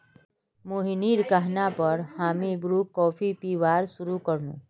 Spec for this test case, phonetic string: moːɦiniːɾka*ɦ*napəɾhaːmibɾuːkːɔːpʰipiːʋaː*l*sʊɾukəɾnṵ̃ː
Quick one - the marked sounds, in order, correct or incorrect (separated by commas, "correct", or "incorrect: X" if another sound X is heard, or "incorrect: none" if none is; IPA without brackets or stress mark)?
correct, incorrect: ɾ